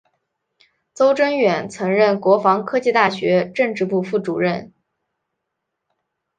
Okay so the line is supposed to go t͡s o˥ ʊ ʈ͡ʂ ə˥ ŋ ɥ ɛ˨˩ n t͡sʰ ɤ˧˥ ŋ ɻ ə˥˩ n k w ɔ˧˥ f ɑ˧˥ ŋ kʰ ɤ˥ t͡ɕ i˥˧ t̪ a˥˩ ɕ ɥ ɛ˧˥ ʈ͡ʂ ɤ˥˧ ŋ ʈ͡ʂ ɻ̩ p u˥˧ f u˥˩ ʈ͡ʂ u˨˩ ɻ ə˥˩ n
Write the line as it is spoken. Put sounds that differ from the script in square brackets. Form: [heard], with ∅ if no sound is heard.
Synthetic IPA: t͡s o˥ ʊ ʈ͡ʂ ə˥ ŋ ɥ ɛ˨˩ n t͡sʰ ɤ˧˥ ŋ ɻ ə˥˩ n k w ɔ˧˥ f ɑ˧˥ ŋ kʰ ɤ˥ t͡ɕ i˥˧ t̪ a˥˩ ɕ ɥ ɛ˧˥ ʈ͡ʂ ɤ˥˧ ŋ ʈ͡ʂ ɻ̩ p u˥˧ f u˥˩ ʈ͡ʂ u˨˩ ɻ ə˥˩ n